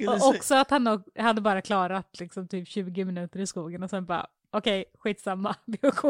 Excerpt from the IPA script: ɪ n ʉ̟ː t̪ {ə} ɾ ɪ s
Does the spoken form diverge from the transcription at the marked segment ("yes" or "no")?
no